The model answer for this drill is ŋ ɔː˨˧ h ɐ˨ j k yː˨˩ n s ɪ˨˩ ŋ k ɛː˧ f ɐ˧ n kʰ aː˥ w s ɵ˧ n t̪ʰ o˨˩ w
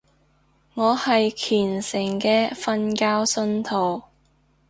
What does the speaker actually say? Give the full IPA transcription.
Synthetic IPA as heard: ŋ ɔː˨˧ h ɐ˨ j kʰ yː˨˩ n s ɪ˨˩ ŋ k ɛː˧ f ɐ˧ n k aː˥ w s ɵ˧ n t̪ʰ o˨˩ w